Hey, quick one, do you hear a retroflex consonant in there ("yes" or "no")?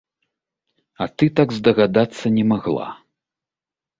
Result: no